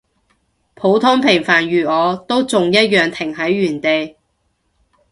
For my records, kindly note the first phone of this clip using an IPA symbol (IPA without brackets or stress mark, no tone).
pʰ